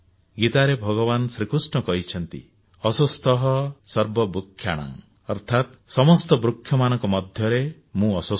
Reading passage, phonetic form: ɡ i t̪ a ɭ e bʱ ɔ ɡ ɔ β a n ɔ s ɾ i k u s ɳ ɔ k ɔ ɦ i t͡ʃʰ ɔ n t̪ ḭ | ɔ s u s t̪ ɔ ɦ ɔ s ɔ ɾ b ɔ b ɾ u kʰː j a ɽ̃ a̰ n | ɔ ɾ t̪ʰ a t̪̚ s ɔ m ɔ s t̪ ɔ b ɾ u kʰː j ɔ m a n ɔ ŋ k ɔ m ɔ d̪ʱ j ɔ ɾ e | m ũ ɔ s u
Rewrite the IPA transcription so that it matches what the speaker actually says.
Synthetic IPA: ɡ i t̪ a ɾ e bʱ ɔ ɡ ɔ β a n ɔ s ɾ i k u s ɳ ɔ k ɔ ɦ i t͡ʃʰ ɔ n t̪ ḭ | ɔ s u s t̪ ɔ ɦ ɔ s ɔ ɾ b ɔ b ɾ u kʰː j a ɽ̃ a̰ ŋ | ɔ ɾ t̪ʰ a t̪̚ s ɔ m ɔ s t̪ ɔ b ɾ u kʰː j ɔ m a n ɔ ŋ k ɔ m ɔ d̪ʱ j ɔ ɾ e | m ũ ɔ s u